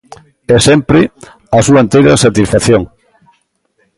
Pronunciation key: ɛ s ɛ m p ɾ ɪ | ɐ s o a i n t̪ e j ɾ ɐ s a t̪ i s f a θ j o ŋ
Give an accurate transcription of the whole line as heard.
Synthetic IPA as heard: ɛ s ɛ m p ɾ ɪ | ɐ s u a e n t̪ e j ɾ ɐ s a t̪ i s f a θ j o ŋ